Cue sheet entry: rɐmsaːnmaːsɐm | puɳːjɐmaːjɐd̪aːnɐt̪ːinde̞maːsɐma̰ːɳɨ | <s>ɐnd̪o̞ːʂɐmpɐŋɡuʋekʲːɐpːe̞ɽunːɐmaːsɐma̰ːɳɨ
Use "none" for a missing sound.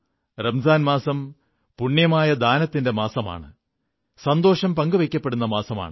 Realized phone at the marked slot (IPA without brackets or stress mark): s